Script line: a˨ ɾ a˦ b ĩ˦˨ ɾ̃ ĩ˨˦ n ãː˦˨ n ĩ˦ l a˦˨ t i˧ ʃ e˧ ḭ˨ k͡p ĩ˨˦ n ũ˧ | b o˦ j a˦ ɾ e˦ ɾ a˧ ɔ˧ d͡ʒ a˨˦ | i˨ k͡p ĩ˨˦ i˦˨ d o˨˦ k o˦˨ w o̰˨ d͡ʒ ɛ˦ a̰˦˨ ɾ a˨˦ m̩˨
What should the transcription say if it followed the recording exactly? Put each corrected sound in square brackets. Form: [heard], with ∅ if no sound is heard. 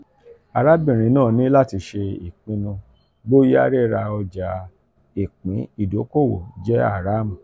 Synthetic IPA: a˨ ɾ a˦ b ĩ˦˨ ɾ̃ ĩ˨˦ n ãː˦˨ n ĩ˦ l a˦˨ t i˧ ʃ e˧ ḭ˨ k͡p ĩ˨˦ n ũ˧ | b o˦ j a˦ ɾ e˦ ɾ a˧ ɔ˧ d͡ʒ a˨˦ | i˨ k͡p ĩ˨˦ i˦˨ d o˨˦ k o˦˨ w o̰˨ d͡ʒ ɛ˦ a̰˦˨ ɾ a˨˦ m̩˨